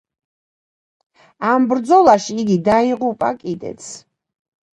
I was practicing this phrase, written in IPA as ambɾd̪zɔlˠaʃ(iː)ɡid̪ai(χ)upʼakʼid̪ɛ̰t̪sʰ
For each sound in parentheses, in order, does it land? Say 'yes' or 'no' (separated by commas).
yes, no